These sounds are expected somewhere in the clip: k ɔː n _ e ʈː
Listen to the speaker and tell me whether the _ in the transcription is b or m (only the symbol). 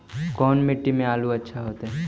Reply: m